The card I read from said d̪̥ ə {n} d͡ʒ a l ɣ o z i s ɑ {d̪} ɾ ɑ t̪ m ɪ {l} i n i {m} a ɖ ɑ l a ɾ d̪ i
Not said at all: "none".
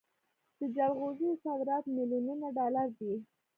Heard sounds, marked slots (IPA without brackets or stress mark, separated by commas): none, d̪, l, n